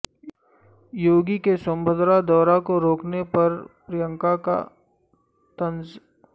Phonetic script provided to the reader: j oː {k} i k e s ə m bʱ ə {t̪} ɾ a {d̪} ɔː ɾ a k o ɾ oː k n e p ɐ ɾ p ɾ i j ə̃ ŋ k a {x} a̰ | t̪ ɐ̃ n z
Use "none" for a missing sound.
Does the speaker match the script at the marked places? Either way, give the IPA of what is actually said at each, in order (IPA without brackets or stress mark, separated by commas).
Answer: ɡ, d̪, d̪, k